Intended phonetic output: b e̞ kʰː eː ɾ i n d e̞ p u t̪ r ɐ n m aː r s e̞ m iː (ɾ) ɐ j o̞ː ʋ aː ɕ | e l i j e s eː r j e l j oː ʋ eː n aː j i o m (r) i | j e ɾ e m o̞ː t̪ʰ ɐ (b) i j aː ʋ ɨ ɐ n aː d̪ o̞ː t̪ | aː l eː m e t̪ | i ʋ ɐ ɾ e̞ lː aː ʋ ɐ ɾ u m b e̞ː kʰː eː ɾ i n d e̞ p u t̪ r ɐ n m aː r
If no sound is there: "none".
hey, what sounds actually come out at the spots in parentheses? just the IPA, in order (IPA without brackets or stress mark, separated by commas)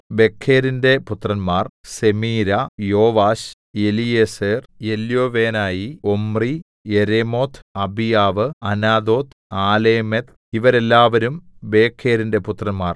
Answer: ɾ, r, b